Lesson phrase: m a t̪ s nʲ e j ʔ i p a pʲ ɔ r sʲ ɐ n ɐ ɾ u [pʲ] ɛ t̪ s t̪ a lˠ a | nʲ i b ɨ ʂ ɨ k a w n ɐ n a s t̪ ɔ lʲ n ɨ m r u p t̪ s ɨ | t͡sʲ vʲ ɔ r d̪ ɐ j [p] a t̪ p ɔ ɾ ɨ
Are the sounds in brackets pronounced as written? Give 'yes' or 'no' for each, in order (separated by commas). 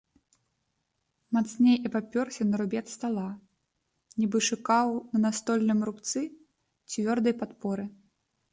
no, yes